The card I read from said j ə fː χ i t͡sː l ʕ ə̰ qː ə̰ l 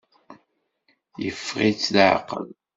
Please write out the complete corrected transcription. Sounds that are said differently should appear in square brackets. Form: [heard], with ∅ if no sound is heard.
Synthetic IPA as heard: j ə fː [ʁ] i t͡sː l ʕ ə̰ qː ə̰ l